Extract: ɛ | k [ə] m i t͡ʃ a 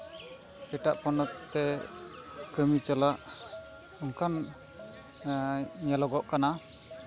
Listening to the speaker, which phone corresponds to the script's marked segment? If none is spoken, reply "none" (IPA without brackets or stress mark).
ə